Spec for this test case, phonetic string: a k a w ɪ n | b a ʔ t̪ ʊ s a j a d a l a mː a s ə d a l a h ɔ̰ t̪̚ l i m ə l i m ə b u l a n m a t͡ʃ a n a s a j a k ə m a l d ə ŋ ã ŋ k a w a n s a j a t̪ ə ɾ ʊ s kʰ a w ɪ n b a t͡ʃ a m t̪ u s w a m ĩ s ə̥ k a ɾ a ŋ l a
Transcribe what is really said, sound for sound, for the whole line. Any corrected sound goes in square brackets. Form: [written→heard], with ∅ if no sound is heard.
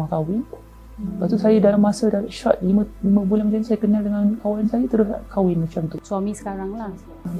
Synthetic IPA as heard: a k a w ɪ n | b a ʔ t̪ [ʊ→u] s a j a d a l a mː a s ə d a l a [h→ʃ] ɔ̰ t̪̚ l i m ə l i m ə b u l a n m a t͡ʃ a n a s a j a k ə [m→n] a l d ə ŋ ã [ŋ→n] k a w a n s a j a t̪ ə ɾ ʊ s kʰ a w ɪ n [b→m] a t͡ʃ a m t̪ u s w a m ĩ s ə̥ k a ɾ a ŋ l a